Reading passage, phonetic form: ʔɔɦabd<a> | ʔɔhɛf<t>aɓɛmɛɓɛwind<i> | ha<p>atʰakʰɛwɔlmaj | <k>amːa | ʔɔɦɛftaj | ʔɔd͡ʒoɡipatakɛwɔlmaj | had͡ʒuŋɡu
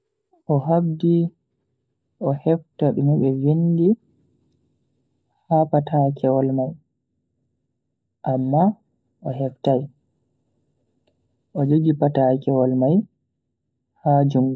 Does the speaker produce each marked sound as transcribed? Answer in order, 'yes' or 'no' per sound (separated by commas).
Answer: no, yes, yes, yes, no